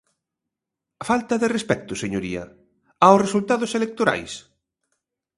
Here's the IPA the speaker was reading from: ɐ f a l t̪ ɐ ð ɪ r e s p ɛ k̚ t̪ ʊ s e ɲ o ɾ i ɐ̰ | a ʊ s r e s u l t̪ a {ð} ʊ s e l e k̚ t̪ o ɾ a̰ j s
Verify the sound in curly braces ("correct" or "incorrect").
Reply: correct